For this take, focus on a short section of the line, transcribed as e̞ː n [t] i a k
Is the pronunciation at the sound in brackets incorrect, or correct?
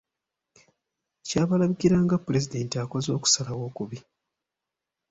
correct